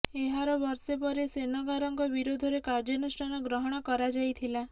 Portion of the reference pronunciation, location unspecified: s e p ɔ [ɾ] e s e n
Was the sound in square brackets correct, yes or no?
yes